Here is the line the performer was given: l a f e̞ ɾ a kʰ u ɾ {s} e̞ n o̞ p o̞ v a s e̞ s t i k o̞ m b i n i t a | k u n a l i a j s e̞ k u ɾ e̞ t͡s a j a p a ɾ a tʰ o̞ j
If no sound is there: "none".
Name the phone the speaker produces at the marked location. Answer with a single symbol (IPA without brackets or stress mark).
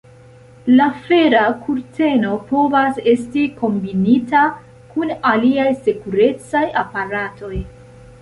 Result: t